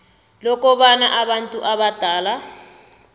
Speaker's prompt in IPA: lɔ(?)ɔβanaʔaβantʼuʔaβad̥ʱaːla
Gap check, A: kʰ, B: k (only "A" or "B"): B